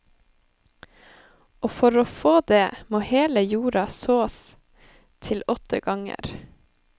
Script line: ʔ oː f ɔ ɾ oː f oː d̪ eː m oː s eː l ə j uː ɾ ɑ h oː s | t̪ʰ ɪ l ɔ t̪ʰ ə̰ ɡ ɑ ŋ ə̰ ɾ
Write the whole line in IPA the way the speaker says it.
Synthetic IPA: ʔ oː f ɔ ɾ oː f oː d̪ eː m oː h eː l ə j uː ɾ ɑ s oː s | t̪ʰ ɪ l ɔ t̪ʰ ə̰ ɡ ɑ ŋ ə̰ ɾ